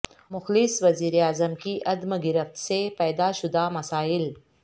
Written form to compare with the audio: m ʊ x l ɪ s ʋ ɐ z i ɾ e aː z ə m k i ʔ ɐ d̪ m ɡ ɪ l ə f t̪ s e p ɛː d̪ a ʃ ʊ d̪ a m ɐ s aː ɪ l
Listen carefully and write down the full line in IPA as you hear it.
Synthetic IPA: m ʊ x l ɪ s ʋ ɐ z iː ɾ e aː z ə m k i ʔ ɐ d̪ m ɡ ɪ ɾ ə f t̪ s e p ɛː d̪ a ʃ ʊ d̪ a m ɐ s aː ɪ l